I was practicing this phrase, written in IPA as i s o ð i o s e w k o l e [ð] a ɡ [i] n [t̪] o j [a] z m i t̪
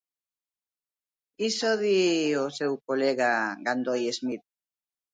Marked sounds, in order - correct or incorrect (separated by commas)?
incorrect, incorrect, incorrect, incorrect